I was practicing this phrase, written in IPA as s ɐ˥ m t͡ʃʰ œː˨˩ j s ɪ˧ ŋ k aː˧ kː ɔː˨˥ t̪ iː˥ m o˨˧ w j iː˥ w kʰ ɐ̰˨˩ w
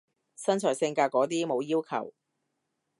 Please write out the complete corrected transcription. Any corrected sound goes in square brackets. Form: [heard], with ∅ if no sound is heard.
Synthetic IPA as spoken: s ɐ˥ [n] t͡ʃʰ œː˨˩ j s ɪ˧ ŋ k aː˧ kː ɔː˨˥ t̪ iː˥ m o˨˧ w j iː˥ w kʰ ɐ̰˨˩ w